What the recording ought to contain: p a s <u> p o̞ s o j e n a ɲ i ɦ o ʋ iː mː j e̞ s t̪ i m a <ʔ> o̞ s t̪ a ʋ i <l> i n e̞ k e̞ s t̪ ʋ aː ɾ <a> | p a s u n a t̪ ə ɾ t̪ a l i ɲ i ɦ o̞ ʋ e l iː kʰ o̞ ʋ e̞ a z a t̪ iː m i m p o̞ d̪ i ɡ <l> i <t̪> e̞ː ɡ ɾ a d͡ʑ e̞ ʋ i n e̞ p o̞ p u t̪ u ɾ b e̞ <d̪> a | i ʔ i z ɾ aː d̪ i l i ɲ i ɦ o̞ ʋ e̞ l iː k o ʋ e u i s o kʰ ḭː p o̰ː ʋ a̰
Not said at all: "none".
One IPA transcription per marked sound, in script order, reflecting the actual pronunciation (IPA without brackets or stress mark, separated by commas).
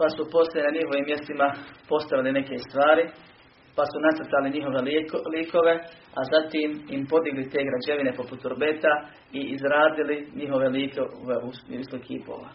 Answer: u, p, l, i, l, t̪, t̪